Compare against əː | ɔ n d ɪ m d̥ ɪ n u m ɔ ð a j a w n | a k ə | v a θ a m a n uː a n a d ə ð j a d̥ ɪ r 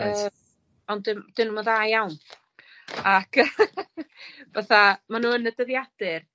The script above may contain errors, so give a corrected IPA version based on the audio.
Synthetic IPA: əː | ɔ n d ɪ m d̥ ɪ n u m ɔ ð a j a w n | a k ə | v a θ a m a n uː ə n ə d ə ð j a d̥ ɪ r